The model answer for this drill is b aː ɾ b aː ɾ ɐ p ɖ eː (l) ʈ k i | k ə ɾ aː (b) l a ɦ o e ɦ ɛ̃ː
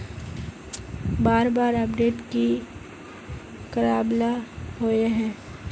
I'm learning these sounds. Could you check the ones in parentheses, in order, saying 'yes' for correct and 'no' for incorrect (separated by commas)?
no, yes